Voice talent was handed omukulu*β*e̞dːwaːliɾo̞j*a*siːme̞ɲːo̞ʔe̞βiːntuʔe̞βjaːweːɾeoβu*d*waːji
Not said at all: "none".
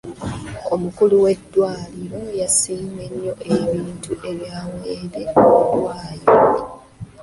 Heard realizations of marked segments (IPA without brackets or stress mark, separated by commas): w, a, d